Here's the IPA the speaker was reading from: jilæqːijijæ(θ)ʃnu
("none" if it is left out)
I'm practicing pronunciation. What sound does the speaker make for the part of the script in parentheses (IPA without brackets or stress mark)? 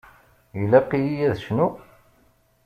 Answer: ð